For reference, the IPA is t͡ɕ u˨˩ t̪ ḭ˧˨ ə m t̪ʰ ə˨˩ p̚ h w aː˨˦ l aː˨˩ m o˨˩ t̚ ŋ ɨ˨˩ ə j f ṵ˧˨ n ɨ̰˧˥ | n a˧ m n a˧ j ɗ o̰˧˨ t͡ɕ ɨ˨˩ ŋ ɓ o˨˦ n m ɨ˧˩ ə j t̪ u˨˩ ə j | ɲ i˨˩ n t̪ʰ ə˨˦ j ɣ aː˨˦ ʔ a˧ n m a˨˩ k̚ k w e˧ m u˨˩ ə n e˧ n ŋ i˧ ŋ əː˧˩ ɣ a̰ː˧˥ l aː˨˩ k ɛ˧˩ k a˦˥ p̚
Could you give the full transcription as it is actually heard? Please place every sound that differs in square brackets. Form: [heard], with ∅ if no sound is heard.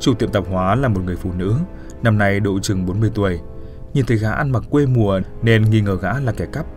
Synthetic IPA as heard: t͡ɕ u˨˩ t̪ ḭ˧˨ ə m [t̪] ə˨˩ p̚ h w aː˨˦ l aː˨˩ m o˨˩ t̚ ŋ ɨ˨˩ ə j f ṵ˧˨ n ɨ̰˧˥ | n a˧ m n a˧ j ɗ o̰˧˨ t͡ɕ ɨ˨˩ ŋ ɓ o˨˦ n m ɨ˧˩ ə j t̪ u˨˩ ə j | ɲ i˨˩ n t̪ʰ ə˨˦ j ɣ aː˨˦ ʔ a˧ n m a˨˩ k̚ k w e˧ m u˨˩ ə n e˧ n ŋ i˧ ŋ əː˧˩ ɣ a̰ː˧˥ l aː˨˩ k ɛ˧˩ k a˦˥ p̚